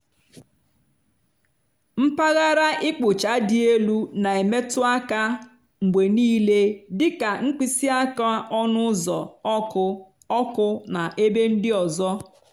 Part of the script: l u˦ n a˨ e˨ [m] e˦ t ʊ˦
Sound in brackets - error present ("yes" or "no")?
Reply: no